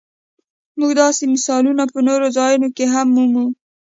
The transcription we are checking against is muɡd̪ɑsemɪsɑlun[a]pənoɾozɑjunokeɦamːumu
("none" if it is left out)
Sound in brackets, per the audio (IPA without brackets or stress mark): a